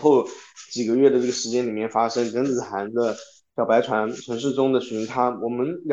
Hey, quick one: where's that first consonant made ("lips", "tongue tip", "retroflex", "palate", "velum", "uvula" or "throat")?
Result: velum